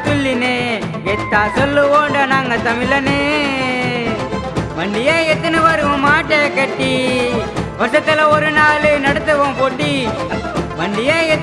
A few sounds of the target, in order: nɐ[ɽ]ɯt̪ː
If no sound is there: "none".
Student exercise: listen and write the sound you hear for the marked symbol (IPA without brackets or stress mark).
ɽ